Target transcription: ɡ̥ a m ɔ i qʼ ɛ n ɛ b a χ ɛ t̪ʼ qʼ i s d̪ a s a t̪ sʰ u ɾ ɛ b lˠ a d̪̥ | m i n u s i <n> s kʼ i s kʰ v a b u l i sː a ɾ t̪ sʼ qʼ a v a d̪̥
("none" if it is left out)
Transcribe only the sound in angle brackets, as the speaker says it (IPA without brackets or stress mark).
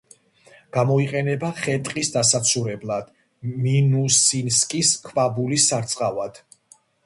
n